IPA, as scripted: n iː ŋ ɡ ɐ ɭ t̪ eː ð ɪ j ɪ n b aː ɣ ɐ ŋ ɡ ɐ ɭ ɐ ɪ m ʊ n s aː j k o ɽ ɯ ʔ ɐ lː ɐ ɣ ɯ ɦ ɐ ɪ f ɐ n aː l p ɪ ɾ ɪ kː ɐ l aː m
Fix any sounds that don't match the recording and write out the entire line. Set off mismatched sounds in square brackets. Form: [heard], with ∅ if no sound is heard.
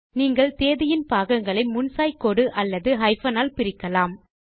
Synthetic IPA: n iː ŋ ɡ ɐ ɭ t̪ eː ð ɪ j ɪ n [p] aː ɣ ɐ ŋ ɡ ɐ ɭ ɐ ɪ m ʊ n s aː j k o ɽ ɯ ʔ ɐ lː ɐ [ð] ɯ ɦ ɐ ɪ f ɐ n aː l p ɪ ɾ ɪ kː ɐ l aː m